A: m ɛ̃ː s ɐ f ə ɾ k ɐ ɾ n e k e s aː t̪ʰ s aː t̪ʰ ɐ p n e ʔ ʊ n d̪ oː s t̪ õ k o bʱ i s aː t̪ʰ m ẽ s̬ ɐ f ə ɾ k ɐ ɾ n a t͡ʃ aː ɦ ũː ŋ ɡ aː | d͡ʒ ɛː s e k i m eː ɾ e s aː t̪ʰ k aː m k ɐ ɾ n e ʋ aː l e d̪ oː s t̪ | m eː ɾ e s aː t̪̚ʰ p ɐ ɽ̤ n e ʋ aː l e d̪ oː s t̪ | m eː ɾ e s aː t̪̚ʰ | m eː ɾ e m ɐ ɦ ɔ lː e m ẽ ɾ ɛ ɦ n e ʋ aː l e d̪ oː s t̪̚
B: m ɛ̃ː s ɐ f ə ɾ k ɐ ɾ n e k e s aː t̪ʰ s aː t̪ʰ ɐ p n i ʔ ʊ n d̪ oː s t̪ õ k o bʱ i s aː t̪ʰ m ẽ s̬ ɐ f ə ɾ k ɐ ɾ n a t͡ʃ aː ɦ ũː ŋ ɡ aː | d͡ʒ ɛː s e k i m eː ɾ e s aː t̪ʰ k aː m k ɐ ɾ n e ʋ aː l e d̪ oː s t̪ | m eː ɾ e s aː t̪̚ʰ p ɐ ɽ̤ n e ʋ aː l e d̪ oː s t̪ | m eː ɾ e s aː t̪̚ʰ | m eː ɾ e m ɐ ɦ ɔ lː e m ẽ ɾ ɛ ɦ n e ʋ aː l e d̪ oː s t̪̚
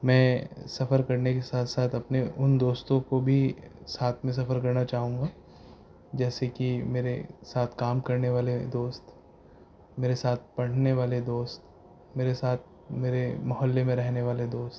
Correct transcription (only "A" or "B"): A